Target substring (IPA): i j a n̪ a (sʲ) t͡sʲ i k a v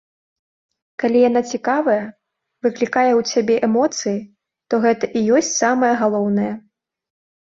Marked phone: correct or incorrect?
incorrect